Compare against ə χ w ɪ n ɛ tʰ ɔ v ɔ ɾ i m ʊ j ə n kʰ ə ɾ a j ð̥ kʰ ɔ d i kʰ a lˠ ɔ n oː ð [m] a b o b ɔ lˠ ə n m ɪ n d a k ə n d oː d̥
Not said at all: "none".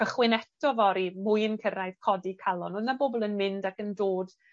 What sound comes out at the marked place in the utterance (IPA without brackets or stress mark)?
n